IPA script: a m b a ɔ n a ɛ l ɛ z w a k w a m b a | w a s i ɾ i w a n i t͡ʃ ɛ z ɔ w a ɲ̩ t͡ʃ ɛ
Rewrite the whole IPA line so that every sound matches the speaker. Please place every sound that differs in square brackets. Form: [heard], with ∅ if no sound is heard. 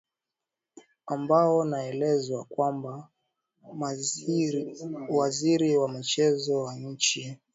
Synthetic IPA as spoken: a m b a ɔ n a ɛ l ɛ z w a k w a m b a | w a [z] i ɾ i w a [m] i t͡ʃ ɛ z ɔ w a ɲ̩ t͡ʃ [i]